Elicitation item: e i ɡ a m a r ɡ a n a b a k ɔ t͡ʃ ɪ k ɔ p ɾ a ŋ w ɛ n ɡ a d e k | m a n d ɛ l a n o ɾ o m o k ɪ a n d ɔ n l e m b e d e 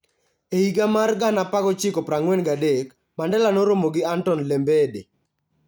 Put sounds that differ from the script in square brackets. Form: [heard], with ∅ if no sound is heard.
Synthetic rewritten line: e i ɡ a m a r ɡ a n a [p] a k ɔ t͡ʃ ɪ k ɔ p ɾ a ŋ w ɛ n ɡ a d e k | m a n d ɛ l a n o ɾ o m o [ɡ] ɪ a n [t] ɔ n l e m b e d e